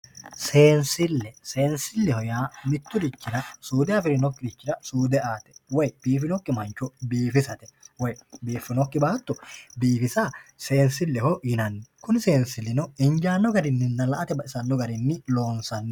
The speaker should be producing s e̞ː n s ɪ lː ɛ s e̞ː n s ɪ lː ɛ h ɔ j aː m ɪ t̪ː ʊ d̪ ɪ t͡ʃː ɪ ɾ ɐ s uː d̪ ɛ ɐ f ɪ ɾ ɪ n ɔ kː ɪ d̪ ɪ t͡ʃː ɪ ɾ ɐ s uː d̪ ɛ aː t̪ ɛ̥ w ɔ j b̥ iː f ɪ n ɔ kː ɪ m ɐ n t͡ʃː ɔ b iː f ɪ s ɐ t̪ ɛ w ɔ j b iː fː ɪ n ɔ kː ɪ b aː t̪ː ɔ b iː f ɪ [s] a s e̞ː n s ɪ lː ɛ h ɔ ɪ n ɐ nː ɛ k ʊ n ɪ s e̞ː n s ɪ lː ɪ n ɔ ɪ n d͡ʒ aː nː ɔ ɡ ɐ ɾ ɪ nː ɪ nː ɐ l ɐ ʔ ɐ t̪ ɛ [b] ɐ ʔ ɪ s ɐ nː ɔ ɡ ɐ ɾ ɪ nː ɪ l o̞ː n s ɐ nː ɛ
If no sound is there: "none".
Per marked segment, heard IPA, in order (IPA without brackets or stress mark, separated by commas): s, b